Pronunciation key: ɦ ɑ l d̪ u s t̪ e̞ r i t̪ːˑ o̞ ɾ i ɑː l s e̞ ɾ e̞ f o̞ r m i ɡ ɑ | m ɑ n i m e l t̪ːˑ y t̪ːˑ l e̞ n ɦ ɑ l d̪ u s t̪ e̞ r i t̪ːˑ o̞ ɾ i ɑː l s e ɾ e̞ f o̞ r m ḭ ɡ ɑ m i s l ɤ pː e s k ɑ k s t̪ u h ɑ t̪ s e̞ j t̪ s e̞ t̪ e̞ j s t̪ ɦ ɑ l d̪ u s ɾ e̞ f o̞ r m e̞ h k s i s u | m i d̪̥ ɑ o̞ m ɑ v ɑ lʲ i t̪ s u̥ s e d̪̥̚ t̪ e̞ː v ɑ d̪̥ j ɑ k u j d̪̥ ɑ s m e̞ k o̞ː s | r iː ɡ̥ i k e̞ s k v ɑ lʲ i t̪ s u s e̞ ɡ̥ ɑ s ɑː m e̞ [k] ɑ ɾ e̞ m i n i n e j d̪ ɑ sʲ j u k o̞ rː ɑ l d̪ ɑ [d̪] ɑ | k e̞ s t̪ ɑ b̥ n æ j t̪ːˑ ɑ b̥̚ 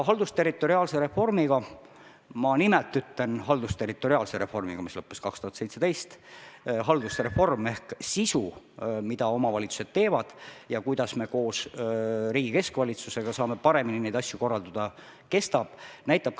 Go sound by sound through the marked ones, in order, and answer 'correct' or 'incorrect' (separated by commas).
incorrect, correct